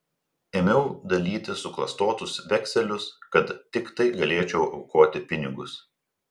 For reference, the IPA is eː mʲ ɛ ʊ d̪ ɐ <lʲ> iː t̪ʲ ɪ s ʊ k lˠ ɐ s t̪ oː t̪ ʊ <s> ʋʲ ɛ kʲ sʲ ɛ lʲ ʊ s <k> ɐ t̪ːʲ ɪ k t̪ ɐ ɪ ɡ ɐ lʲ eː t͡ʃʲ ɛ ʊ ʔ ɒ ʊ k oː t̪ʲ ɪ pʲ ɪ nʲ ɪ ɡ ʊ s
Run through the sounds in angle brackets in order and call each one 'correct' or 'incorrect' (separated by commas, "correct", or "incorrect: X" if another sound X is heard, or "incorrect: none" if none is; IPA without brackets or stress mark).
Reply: correct, correct, correct